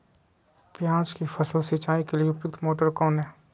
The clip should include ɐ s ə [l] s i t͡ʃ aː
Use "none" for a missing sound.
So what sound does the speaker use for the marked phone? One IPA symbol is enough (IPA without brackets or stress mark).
l